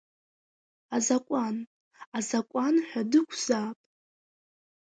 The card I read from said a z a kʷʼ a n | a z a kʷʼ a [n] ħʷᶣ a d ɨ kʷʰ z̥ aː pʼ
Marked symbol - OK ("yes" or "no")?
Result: yes